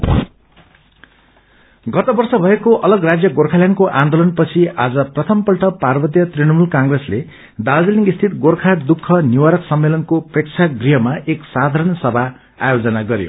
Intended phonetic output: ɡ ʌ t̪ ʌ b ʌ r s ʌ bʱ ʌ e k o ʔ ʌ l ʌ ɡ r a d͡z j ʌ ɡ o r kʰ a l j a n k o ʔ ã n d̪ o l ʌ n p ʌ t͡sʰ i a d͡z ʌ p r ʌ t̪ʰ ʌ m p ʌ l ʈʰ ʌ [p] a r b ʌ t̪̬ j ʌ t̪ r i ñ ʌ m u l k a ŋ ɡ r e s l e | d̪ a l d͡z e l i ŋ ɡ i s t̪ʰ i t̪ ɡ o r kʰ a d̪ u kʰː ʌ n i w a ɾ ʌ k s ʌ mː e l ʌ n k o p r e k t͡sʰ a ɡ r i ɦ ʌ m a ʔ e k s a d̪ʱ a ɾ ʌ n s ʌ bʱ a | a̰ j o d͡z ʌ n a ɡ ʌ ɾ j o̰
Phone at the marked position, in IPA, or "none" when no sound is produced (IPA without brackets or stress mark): p